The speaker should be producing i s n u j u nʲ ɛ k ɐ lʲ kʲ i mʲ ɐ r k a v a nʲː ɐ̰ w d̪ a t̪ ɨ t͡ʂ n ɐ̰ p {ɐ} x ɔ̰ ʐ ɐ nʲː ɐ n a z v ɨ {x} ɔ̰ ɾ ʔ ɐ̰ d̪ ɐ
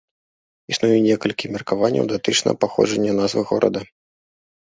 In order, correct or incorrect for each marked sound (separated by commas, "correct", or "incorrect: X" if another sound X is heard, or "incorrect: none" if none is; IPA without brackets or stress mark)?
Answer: incorrect: a, incorrect: ɣ